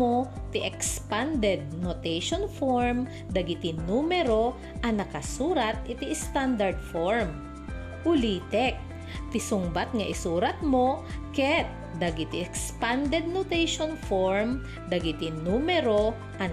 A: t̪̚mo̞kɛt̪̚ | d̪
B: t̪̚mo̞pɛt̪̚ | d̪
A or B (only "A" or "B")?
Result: A